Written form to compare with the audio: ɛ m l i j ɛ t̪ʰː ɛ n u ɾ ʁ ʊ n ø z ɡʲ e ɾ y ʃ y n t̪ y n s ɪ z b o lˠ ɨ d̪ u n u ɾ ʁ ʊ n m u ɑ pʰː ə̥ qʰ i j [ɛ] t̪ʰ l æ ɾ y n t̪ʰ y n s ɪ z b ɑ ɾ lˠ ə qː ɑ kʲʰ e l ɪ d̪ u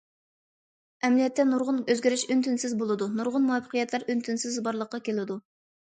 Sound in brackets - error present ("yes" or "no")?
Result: no